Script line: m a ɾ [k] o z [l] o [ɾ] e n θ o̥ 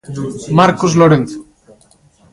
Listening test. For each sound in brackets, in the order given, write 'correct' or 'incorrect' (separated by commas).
correct, correct, correct